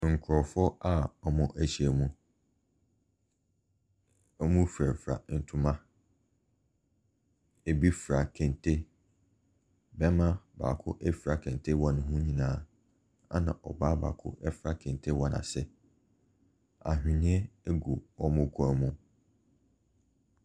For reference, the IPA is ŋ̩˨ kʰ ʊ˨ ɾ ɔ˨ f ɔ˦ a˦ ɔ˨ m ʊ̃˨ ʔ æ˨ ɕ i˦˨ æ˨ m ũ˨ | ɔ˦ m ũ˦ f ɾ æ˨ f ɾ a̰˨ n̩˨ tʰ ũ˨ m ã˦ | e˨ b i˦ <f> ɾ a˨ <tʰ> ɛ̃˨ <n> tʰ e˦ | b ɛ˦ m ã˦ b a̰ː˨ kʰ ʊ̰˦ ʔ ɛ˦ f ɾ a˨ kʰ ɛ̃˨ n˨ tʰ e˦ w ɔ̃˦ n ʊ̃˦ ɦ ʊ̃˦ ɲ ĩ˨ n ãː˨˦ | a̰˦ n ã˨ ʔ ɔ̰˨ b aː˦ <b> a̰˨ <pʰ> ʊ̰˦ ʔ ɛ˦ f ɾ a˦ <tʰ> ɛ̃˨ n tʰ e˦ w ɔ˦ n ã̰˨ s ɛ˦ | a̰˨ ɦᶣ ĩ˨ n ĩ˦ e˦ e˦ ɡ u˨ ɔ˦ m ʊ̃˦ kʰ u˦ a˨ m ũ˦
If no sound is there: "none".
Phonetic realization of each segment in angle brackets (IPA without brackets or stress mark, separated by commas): f, kʰ, n, b, kʰ, kʰ